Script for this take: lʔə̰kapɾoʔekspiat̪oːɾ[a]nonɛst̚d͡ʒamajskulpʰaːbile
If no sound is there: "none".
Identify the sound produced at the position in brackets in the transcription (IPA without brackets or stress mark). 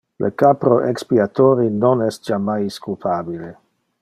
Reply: i